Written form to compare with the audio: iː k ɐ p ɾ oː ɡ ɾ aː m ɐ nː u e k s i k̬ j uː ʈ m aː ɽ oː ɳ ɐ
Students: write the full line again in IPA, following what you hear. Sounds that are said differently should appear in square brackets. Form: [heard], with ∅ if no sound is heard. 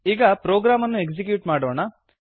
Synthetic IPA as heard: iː [ɡ] ɐ p ɾ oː ɡ ɾ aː m ɐ nː u e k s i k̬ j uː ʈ m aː ɽ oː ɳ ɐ